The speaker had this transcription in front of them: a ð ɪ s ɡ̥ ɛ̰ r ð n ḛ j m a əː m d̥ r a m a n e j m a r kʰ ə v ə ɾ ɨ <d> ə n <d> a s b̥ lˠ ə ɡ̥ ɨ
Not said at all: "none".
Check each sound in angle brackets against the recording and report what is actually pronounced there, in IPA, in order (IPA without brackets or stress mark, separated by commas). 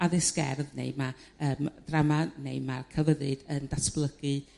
d, d